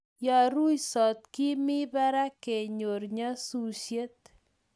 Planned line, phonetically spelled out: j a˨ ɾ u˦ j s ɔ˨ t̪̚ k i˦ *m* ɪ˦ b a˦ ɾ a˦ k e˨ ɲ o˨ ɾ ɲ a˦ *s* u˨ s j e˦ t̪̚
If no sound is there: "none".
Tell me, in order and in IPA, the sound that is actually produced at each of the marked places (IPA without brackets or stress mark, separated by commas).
m, s